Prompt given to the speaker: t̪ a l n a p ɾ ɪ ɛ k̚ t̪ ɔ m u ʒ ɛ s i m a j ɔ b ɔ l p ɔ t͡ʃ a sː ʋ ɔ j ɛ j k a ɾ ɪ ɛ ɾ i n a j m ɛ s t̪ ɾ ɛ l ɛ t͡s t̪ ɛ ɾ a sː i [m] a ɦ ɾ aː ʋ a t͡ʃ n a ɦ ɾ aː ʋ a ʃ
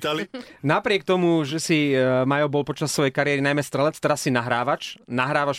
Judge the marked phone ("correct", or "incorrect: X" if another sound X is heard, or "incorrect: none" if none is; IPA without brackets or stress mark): incorrect: n